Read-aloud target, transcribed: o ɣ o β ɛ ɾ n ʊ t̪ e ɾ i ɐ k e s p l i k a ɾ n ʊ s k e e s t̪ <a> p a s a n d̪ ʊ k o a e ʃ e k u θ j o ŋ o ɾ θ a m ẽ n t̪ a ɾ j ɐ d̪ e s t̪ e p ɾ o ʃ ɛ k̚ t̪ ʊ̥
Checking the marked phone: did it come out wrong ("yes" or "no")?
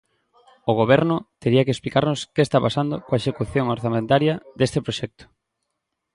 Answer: no